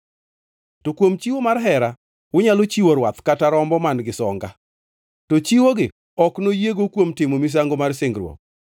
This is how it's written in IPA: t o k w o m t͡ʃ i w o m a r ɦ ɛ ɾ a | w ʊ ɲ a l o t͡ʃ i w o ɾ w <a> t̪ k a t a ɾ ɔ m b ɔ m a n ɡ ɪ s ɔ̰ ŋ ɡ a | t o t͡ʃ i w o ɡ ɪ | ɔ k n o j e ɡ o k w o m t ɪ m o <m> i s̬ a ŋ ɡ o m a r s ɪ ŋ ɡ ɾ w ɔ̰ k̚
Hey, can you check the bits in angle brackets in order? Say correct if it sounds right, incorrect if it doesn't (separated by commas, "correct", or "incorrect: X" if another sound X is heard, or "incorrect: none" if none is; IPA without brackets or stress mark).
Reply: correct, correct